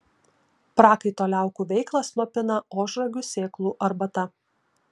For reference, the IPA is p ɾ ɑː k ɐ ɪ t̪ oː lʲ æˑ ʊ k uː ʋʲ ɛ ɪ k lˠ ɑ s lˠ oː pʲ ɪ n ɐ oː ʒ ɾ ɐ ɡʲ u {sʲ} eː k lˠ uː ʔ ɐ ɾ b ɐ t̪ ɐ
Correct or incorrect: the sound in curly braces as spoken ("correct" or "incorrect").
correct